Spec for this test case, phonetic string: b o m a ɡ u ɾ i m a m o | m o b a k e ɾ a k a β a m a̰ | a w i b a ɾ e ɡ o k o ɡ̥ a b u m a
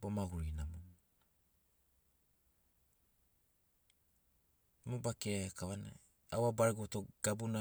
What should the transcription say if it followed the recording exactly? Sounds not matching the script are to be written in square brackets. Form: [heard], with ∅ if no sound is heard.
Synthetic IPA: b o m a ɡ u ɾ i [n] a m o | m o b a k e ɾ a k a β a [n] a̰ | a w [a] b a ɾ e ɡ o [t] o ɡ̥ a b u [n] a